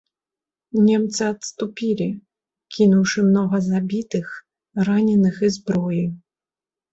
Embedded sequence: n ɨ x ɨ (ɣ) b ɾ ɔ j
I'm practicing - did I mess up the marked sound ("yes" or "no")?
yes